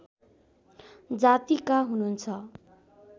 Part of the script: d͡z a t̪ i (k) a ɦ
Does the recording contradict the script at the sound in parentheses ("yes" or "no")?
no